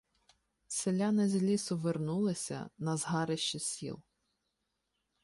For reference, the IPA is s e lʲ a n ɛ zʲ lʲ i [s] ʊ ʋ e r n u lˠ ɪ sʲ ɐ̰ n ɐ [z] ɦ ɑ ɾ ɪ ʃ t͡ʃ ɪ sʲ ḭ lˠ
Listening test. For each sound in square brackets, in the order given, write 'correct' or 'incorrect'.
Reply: correct, correct

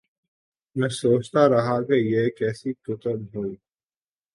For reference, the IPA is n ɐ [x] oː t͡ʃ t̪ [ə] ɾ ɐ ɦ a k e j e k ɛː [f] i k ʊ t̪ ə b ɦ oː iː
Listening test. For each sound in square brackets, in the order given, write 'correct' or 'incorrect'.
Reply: incorrect: s, incorrect: a, incorrect: s

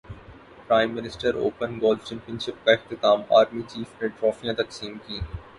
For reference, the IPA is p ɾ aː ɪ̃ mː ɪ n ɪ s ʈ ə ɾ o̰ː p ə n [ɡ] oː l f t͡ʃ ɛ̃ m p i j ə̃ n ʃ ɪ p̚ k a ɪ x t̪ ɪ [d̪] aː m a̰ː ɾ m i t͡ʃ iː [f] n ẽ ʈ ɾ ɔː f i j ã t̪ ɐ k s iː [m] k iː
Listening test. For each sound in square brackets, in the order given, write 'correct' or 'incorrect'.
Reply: correct, incorrect: t̪, correct, correct

